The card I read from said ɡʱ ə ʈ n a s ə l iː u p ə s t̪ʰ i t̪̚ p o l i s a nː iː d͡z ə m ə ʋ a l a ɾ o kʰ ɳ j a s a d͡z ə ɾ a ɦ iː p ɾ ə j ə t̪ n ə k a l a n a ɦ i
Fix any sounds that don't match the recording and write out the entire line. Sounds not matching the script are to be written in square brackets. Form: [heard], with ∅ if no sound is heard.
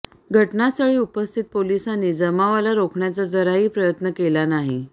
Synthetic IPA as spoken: ɡʱ ə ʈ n a s ə [ɭ] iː u p ə s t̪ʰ i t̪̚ p o l i s a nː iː d͡z ə m [a] ʋ a l a ɾ o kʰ ɳ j a [t͡s] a d͡z ə ɾ a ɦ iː p ɾ ə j ə t̪ n ə k [e] l a n a ɦ i